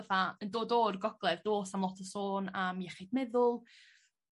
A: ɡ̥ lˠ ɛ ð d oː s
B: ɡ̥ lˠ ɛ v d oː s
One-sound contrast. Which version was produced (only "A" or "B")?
B